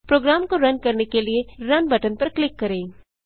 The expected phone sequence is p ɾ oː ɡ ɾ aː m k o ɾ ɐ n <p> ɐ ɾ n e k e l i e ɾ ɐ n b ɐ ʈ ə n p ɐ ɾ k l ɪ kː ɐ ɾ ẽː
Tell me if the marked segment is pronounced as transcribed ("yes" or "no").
no